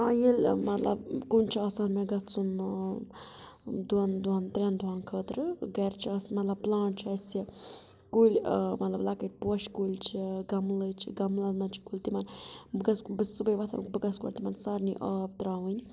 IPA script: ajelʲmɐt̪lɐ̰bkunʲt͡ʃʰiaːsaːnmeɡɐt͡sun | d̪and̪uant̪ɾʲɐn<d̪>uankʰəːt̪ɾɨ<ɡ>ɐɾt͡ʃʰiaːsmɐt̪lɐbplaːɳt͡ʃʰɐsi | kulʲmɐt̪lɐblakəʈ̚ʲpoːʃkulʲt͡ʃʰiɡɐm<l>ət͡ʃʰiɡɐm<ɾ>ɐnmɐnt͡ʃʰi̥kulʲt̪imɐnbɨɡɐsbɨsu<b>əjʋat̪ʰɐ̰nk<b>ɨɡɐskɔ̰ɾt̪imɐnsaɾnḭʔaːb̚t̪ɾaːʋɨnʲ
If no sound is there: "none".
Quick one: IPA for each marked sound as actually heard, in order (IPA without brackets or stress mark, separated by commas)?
d̪, ɡ, l, l, b, b